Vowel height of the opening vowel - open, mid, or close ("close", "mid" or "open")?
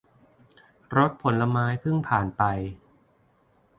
mid